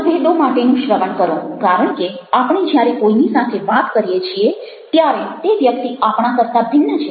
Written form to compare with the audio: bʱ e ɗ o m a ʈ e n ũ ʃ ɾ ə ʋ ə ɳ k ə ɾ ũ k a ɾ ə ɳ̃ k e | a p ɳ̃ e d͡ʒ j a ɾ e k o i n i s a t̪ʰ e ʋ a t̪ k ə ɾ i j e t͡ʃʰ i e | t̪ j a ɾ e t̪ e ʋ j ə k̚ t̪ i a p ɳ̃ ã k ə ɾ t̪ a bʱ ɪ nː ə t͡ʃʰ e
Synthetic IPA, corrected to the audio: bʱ e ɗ o m a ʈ e n ũ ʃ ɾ ə ʋ ə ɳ k ə ɾ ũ k a ɾ ə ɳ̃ k e | a p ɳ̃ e d͡ʒ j a ɾ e k o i n i s a t̪ʰ e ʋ a t̪ k ə ɾ i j e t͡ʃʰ i e | t̪ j a ɾ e t̪ e ʋ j ə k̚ t̪ i a p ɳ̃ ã k ə ɾ t̪ a bʱ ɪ nː ə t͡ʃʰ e